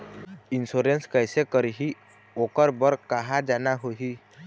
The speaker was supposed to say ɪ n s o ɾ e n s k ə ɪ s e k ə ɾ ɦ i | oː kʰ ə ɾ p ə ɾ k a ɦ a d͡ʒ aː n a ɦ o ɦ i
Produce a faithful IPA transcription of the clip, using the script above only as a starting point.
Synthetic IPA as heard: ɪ n s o ɾ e n s k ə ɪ s e k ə ɾ ɦ i | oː k ə ɾ b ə ɾ k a ɦ a d͡ʒ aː n a ɦ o ɦ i